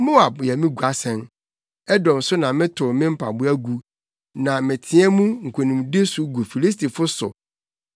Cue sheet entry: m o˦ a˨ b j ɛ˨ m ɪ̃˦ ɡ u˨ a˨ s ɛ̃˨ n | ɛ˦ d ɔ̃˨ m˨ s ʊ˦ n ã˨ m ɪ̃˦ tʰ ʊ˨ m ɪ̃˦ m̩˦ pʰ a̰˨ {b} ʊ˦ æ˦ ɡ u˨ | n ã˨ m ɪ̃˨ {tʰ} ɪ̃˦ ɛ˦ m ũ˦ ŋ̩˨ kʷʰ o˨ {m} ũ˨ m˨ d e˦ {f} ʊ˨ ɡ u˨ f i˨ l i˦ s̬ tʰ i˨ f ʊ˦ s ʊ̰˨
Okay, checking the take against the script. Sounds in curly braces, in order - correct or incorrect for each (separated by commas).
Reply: correct, correct, incorrect, incorrect